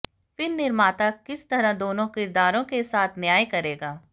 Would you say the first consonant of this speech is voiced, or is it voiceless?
voiceless